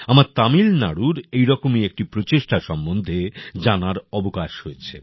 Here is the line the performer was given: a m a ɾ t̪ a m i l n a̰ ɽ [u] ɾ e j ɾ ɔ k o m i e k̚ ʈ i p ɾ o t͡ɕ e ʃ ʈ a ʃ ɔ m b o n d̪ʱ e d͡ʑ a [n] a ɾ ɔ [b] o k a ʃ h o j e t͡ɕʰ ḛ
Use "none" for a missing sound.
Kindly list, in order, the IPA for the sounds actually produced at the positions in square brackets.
u, n, b

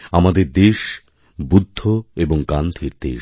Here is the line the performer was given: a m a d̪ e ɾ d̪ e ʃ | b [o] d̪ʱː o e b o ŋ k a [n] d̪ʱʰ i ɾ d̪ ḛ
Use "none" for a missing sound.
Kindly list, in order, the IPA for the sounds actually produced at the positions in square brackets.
u, n

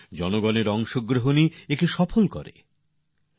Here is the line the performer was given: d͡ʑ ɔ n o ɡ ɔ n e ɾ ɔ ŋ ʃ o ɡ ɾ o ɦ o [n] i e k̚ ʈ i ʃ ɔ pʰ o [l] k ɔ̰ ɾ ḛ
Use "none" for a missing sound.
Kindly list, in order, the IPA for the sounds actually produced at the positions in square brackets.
n, l

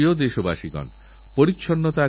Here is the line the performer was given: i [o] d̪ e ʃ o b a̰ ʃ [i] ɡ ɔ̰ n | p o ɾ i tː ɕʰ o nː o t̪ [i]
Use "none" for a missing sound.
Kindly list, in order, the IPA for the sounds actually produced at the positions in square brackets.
o, i, a

